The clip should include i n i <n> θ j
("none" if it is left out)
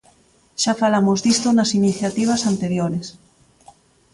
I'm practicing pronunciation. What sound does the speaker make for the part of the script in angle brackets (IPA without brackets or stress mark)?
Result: none